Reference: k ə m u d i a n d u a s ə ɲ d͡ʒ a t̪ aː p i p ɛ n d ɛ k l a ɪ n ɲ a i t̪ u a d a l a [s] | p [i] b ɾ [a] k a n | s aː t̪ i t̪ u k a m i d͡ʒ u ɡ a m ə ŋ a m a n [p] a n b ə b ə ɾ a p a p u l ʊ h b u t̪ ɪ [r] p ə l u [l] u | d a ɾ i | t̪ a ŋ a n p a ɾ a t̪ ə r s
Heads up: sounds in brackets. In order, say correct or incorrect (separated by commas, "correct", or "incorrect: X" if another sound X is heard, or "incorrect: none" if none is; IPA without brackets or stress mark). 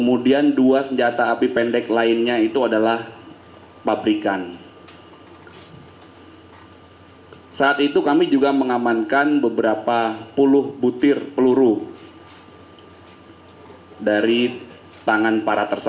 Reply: incorrect: h, incorrect: a, incorrect: i, incorrect: k, correct, incorrect: ɾ